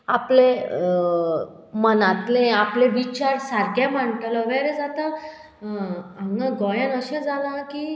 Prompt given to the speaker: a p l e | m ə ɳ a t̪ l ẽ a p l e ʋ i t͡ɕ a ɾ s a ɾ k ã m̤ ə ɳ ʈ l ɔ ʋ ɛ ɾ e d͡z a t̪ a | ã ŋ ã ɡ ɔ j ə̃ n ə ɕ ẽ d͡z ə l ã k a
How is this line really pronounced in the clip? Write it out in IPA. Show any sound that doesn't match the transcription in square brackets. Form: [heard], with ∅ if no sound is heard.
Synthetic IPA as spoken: a p l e | m ə [n] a t̪ l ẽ a p l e ʋ i t͡ɕ a ɾ s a ɾ k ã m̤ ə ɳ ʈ l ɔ ʋ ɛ ɾ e d͡z a t̪ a | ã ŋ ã ɡ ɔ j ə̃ n ə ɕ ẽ d͡z [a] l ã k [i]

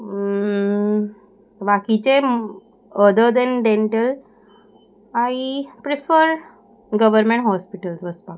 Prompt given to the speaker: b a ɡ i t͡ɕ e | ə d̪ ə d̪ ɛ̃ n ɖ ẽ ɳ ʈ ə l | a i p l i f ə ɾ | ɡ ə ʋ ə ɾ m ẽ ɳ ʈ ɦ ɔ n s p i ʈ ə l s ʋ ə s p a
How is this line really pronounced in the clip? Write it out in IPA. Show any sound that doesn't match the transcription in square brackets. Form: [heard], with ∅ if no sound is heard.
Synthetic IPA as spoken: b a [k] i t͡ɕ e | ə d̪ ə d̪ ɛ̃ n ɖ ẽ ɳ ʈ ə l | a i p [ɾ] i f ə ɾ | ɡ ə ʋ ə ɾ m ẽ ɳ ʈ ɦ ɔ [∅] s p i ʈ ə l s ʋ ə s p a

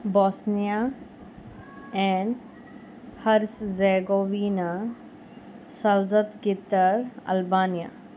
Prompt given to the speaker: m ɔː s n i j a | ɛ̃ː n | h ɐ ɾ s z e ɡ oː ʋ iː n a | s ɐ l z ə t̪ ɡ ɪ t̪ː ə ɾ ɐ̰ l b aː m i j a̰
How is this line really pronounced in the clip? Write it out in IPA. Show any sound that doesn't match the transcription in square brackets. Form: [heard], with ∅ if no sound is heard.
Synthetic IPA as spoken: [b] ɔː s n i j a | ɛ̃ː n | h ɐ ɾ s z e ɡ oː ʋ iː n a | s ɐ l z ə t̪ ɡ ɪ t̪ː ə ɾ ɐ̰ l b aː [n] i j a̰

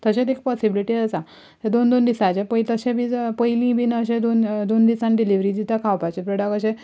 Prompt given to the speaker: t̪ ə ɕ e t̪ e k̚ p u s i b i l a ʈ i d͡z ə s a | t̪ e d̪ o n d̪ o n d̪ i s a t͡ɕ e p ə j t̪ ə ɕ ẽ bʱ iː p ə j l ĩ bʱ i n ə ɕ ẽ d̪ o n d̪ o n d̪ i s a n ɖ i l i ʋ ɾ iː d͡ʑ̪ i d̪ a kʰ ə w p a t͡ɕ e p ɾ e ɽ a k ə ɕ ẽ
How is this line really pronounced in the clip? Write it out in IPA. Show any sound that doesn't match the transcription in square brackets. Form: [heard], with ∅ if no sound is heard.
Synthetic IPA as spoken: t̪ ə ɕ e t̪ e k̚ p [ɔ] s i b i l [i] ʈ i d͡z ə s a | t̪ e d̪ o n d̪ o n d̪ i s a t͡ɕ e p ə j t̪ ə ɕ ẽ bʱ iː p ə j l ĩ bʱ i n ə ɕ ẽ d̪ o n d̪ o n d̪ i s a n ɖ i l i ʋ ɾ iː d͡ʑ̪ i [t̪] a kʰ [a] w p a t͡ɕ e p ɾ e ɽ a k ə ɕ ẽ

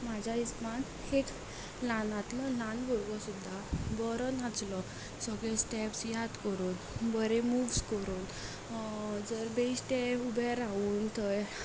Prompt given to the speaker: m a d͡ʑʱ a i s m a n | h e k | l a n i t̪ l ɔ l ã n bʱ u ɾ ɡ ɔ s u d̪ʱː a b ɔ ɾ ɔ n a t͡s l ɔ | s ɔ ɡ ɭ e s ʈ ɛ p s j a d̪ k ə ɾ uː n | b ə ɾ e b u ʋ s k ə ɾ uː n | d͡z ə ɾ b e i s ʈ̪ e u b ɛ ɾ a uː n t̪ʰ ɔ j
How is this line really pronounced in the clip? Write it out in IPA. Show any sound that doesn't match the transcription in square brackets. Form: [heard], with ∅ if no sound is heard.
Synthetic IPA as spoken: m a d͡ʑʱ a i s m a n | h e k | l a n [a] t̪ l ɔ l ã n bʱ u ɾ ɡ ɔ s u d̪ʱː a b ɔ ɾ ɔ n a t͡s l ɔ | s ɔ ɡ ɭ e s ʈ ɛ p s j a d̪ k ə ɾ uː n | b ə ɾ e [m] u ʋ s k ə ɾ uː n | d͡z ə ɾ b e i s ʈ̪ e u b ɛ ɾ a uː n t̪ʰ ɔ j

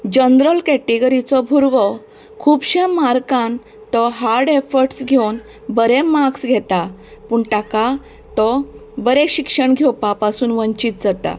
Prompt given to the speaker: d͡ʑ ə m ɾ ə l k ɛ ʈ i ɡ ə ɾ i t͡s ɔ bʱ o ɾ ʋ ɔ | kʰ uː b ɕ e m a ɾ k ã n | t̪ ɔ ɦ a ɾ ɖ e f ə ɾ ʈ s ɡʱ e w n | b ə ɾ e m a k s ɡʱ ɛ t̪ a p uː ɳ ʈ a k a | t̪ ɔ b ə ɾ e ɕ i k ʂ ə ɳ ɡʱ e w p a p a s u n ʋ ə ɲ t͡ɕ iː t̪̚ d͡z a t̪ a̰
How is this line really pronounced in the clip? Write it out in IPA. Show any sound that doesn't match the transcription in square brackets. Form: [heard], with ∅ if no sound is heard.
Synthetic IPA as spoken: d͡ʑ ə [n] ɾ ə l k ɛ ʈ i ɡ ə ɾ i t͡s ɔ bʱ [u] ɾ ʋ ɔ | kʰ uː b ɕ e m a ɾ k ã n | t̪ ɔ ɦ a ɾ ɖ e f ə ɾ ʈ s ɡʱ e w n | b ə ɾ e m a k s ɡʱ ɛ t̪ a p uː ɳ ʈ a k a | t̪ ɔ b ə ɾ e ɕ i k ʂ ə ɳ ɡʱ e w p a p a s [uː] n ʋ ə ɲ t͡ɕ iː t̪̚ d͡z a t̪ a̰

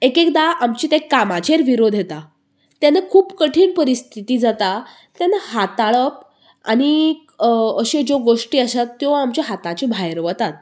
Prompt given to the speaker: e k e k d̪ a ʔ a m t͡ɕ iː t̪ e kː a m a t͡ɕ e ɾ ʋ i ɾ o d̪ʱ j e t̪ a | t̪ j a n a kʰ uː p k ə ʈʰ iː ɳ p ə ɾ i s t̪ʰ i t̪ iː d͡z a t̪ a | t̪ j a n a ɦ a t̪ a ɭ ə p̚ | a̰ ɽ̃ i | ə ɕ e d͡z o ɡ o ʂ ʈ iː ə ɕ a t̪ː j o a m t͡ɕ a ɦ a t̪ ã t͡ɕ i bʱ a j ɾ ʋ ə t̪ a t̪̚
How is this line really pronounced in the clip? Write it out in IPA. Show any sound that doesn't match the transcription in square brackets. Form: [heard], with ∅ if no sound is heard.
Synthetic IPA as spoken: e k e k d̪ a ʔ a m t͡ɕ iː t̪ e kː a m a t͡ɕ e ɾ ʋ i ɾ o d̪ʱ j e t̪ a | t̪ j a n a kʰ uː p k ə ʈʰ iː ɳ p ə ɾ i s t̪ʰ i t̪ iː d͡z a t̪ a | t̪ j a n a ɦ a t̪ a ɭ ə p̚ | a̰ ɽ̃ i | ə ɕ e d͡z o ɡ o ʂ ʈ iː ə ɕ a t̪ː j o a m t͡ɕ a ɦ a t̪ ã t͡ɕ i bʱ a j ɾ ʋ ə t̪ a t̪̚

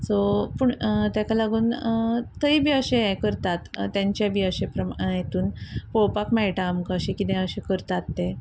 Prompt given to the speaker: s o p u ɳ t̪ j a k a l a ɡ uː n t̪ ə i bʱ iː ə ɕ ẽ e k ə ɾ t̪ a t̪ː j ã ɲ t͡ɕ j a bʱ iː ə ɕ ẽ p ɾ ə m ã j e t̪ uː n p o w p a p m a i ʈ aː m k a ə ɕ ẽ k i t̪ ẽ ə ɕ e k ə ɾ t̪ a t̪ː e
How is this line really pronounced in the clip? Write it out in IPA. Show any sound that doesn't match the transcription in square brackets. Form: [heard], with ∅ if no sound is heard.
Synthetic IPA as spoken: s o p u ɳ t̪ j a k a l a ɡ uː n t̪ ə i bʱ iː ə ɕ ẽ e k ə ɾ t̪ a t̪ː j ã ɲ t͡ɕ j a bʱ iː ə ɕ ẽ p ɾ ə m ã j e t̪ uː n p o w p a [k] m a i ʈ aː m k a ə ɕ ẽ k i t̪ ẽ ə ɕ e k ə ɾ t̪ a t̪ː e

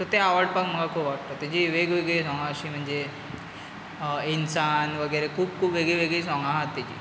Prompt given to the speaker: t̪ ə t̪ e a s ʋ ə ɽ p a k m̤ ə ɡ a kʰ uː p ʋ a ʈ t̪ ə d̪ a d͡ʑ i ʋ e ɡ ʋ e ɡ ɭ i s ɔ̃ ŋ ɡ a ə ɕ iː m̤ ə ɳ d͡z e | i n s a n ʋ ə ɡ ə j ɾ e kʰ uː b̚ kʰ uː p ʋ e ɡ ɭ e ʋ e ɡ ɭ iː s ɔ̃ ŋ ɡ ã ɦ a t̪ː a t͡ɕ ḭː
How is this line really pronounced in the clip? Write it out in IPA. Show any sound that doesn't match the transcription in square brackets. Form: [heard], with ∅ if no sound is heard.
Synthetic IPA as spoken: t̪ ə t̪ e a [∅] ʋ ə ɽ p a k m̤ ə ɡ a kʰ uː p ʋ a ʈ t̪ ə [t̪] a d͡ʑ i ʋ e ɡ ʋ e ɡ ɭ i s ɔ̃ ŋ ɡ a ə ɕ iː m̤ ə ɳ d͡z e | i n s a n ʋ ə ɡ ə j ɾ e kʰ uː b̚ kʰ uː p ʋ e ɡ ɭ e ʋ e ɡ ɭ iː s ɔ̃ ŋ ɡ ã ɦ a t̪ː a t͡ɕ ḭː

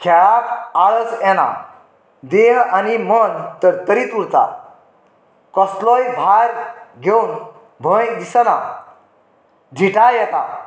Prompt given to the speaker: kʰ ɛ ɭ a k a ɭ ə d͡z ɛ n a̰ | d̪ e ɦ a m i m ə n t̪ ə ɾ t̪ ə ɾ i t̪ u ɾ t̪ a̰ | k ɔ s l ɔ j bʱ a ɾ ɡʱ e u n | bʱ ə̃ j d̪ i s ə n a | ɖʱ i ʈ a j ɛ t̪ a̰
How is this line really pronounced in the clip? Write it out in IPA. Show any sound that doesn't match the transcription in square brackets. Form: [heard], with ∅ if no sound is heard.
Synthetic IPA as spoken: kʰ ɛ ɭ a k a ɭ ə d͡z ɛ n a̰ | d̪ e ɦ a [n] i m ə n t̪ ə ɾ t̪ ə ɾ i t̪ u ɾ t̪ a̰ | k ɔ s l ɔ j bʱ a ɾ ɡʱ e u n | bʱ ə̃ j d̪ i s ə n a | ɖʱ i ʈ a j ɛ t̪ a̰

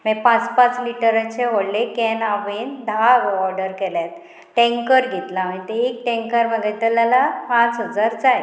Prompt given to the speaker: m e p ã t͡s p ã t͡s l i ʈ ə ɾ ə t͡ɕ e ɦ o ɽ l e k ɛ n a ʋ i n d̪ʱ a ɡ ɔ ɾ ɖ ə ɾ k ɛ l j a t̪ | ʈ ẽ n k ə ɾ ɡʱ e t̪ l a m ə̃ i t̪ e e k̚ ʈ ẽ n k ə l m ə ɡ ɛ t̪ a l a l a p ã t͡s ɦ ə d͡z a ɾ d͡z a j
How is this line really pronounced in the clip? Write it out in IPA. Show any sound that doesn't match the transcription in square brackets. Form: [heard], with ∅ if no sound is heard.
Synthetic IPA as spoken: m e p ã t͡s p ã t͡s l i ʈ ə ɾ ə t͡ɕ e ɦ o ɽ l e k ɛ n a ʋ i n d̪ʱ a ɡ ɔ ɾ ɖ ə ɾ k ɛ l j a t̪ | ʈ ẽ [ŋ] k ə ɾ ɡʱ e t̪ l a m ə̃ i t̪ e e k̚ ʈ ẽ [ŋ] k ə [ɾ] m ə ɡ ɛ t̪ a l a l a p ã t͡s ɦ ə d͡z a ɾ d͡z a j

